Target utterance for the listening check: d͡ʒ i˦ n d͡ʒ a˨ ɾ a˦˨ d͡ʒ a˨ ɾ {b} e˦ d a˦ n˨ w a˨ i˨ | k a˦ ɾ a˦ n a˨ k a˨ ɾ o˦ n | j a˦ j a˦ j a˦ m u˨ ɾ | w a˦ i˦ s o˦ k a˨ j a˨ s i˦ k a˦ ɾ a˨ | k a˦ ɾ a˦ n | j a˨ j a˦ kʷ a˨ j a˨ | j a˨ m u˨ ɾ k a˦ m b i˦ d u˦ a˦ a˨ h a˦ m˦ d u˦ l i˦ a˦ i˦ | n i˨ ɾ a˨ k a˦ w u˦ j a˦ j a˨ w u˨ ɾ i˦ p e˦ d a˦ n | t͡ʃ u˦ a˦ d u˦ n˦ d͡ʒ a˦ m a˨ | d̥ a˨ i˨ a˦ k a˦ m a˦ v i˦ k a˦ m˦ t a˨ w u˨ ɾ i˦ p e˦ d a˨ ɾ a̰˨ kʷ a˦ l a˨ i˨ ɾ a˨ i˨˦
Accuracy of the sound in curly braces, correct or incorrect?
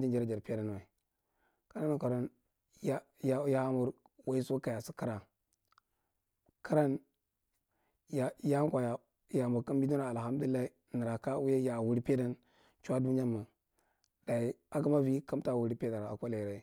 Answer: incorrect: p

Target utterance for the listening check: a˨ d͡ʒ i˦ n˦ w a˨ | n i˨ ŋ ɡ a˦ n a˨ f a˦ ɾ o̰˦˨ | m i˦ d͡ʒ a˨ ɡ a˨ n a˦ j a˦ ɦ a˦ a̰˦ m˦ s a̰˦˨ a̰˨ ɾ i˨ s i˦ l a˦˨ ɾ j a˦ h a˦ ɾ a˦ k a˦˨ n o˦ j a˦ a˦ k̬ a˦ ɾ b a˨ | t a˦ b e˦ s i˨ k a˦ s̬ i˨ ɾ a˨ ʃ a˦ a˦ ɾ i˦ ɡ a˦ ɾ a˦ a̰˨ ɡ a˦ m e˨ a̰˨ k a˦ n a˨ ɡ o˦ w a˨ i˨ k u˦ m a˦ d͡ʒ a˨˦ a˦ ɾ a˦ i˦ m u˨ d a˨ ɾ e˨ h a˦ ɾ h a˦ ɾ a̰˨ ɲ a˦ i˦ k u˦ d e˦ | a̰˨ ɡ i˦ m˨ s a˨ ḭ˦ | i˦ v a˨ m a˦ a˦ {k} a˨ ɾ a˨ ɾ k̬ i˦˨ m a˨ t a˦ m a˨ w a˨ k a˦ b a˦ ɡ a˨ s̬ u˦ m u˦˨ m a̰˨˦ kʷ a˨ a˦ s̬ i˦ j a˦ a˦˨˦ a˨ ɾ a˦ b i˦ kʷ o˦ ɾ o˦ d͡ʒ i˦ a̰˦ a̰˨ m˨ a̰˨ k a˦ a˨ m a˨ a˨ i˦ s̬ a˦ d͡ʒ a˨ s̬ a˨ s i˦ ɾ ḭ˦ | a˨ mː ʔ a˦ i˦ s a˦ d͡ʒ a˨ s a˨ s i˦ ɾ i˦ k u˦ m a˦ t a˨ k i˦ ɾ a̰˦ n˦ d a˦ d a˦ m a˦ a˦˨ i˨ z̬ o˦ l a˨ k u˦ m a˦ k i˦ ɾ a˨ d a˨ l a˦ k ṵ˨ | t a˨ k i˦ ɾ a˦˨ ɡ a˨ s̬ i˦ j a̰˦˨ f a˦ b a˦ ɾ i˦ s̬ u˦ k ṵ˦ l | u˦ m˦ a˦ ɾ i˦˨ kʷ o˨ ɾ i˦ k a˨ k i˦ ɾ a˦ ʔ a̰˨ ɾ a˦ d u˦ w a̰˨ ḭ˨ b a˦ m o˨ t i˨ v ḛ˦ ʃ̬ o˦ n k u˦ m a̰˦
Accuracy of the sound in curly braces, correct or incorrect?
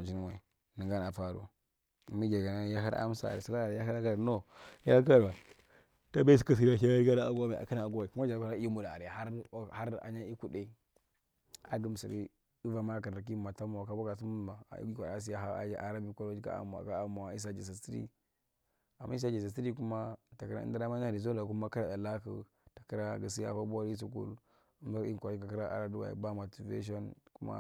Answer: correct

